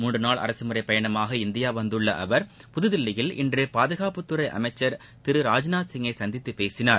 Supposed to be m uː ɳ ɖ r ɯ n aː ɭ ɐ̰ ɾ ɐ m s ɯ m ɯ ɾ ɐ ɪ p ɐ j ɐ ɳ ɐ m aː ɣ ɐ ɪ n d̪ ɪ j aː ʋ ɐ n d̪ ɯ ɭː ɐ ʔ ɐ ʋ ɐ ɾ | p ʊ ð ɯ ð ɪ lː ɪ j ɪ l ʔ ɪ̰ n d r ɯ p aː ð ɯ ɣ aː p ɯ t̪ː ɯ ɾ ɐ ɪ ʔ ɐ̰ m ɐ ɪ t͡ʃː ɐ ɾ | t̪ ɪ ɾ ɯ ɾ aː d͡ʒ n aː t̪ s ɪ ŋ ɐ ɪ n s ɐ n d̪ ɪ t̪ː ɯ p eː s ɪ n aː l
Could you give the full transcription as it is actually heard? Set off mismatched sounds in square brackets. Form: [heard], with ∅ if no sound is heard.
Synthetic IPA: m uː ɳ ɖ r ɯ n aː ɭ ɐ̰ ɾ ɐ [∅] s ɯ m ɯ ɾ ɐ ɪ p ɐ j ɐ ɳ ɐ m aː ɣ ɐ ɪ n d̪ ɪ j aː ʋ ɐ n d̪ ɯ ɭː ɐ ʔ ɐ ʋ ɐ ɾ | p ʊ ð ɯ ð ɪ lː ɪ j ɪ l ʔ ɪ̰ n d r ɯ p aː ð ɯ ɣ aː p ɯ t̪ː ɯ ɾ ɐ ɪ ʔ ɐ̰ m ɐ ɪ t͡ʃː ɐ ɾ | t̪ ɪ ɾ ɯ ɾ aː d͡ʒ n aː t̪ s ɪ ŋ ɐ ɪ [∅] s ɐ n d̪ ɪ t̪ː ɯ p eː s ɪ n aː [ɾ]

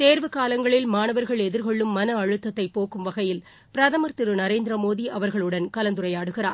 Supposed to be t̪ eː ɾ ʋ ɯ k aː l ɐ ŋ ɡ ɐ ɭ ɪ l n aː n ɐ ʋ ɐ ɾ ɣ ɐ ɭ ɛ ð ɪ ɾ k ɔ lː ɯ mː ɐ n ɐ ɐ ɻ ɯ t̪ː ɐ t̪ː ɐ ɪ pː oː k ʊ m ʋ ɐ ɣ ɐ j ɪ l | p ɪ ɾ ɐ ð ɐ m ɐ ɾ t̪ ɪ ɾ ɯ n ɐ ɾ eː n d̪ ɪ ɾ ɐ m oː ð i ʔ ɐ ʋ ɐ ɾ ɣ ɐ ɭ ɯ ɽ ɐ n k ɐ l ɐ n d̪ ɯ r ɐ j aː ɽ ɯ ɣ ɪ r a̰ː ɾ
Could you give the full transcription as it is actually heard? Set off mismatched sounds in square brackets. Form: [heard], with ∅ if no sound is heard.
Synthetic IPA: t̪ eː ɾ ʋ ɯ k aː l ɐ ŋ ɡ ɐ ɭ ɪ l [m] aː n ɐ ʋ ɐ ɾ ɣ ɐ ɭ ɛ ð ɪ ɾ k ɔ [ɭː] ɯ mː ɐ n ɐ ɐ ɻ ɯ t̪ː ɐ t̪ː ɐ ɪ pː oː k [ɯ] m ʋ ɐ ɣ ɐ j ɪ l | p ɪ ɾ ɐ ð ɐ m ɐ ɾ t̪ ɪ ɾ ɯ n ɐ ɾ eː n d̪ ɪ ɾ ɐ m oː ð i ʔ ɐ ʋ ɐ ɾ ɣ ɐ ɭ ɯ ɽ ɐ n k ɐ l ɐ n d̪ ɯ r ɐ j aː ɽ ɯ ɣ ɪ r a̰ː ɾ

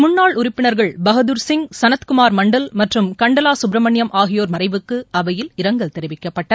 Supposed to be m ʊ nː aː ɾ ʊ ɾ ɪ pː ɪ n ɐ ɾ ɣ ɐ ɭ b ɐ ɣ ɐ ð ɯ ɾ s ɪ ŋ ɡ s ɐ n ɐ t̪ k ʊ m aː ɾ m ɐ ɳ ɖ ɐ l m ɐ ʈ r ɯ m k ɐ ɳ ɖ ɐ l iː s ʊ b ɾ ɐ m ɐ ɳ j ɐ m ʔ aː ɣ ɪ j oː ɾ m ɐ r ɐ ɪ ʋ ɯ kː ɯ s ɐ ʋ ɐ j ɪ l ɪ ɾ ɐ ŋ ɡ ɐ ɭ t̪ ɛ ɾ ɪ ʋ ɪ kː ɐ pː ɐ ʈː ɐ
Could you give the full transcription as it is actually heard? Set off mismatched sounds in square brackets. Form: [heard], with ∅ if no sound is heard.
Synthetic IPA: m ʊ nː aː [ɭ] ʊ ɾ ɪ pː ɪ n ɐ ɾ ɣ ɐ ɭ b ɐ ɣ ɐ ð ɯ ɾ s ɪ ŋ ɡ s ɐ n ɐ t̪ k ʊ m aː ɾ m ɐ ɳ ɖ ɐ l m ɐ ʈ r ɯ m k ɐ ɳ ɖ ɐ l [aː] s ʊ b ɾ ɐ m ɐ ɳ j ɐ m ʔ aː ɣ ɪ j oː ɾ m ɐ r ɐ ɪ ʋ ɯ kː ɯ [∅] ɐ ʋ ɐ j ɪ l ɪ ɾ ɐ ŋ ɡ ɐ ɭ t̪ ɛ ɾ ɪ ʋ ɪ kː ɐ pː ɐ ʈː ɐ

